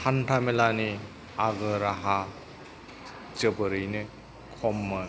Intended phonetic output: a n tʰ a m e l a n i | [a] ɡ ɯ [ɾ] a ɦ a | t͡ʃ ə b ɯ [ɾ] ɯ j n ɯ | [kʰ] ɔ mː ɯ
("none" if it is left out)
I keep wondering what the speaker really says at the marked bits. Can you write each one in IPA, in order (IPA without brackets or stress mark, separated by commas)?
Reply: a, ɾ, ɾ, kʰ